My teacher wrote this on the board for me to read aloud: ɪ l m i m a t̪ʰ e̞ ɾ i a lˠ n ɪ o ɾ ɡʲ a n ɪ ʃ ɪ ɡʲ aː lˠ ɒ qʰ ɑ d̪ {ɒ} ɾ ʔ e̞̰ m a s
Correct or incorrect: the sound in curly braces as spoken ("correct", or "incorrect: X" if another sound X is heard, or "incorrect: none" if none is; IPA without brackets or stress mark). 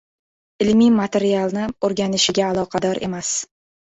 correct